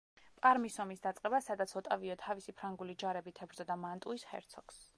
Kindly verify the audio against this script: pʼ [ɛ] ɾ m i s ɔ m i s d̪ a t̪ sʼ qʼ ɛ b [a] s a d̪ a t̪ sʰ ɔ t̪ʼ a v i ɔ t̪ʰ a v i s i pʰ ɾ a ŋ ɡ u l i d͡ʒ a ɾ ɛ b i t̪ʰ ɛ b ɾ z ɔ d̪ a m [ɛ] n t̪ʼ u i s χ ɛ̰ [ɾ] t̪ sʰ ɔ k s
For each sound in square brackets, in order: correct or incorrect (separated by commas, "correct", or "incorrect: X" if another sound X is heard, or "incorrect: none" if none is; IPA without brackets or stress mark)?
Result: incorrect: a, correct, incorrect: a, correct